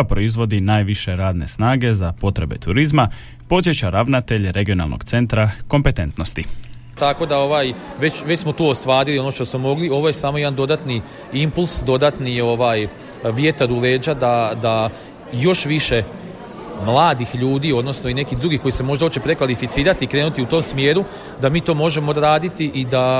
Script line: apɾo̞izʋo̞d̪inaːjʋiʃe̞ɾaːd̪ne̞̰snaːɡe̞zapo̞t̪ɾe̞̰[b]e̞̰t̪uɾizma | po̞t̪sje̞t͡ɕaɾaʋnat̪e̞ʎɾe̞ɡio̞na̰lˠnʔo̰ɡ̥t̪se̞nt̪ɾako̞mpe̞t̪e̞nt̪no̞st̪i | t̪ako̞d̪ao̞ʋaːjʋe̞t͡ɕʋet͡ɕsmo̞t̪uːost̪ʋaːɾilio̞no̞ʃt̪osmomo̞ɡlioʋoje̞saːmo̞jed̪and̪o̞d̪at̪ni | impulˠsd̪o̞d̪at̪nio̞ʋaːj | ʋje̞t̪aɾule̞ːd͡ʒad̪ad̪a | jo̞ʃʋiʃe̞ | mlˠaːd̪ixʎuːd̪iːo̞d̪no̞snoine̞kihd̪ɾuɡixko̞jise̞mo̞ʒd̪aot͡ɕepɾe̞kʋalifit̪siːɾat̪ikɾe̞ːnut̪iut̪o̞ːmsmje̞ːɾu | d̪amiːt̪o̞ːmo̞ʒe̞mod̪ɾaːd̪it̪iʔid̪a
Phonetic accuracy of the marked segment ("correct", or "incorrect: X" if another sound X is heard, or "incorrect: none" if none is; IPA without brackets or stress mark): correct